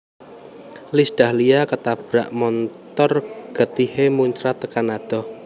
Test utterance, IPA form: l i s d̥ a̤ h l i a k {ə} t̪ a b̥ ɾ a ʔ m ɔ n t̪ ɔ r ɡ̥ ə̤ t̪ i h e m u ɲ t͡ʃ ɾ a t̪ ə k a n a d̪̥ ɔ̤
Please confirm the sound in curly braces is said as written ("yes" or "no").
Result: yes